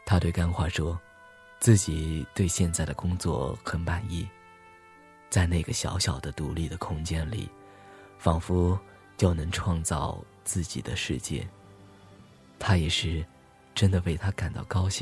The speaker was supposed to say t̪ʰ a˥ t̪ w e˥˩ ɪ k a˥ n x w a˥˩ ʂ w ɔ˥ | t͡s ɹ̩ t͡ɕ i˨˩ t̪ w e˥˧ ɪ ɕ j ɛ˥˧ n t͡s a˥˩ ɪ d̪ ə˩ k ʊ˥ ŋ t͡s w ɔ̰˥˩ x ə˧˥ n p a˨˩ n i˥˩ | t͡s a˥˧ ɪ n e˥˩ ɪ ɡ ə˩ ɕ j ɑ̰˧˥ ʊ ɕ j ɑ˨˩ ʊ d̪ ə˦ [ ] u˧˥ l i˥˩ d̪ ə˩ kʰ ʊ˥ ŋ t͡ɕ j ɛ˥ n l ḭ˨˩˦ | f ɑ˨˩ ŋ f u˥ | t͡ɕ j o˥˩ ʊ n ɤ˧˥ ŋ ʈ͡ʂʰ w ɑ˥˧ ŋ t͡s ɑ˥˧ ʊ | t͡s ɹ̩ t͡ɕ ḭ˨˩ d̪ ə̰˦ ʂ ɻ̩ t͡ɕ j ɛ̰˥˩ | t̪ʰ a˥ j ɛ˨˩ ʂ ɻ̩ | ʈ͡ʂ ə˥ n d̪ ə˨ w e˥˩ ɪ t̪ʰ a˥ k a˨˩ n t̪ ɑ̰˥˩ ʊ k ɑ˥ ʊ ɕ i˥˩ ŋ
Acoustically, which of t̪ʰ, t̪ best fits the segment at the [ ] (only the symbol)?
t̪